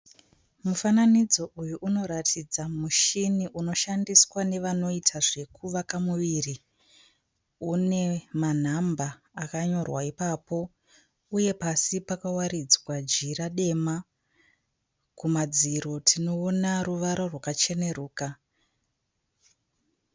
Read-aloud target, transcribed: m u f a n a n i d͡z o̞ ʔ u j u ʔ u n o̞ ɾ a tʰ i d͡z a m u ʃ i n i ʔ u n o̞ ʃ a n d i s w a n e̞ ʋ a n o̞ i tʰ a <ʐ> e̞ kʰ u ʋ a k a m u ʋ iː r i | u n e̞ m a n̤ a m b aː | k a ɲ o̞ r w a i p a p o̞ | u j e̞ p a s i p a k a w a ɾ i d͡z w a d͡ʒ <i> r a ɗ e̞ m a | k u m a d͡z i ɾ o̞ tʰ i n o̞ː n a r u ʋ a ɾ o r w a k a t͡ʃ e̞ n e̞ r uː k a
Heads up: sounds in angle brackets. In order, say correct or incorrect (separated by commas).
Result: correct, correct